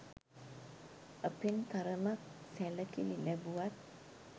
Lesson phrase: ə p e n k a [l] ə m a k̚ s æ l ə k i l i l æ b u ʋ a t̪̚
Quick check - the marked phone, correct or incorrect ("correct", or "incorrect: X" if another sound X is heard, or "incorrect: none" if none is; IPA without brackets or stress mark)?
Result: incorrect: ɾ